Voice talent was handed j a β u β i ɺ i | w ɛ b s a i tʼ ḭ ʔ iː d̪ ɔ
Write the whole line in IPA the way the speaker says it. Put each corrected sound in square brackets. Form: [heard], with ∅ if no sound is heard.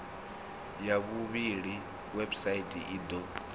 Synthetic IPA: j a β u β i ɺ i | w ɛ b s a i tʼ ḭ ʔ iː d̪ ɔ